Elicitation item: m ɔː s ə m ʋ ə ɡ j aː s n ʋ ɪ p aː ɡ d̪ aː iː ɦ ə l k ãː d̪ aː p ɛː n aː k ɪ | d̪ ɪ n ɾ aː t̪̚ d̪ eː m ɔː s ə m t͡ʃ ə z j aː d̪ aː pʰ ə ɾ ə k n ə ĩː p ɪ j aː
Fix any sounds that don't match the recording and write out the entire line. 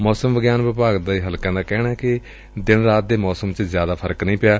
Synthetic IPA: m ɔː s ə m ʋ ə ɡ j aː n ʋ ɪ p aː ɡ d̪ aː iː ɦ ə l k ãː d̪ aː k ɛː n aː k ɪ | d̪ ɪ n ɾ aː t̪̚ d̪ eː m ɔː s ə m t͡ʃ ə z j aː d̪ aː pʰ ə ɾ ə k n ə ĩː p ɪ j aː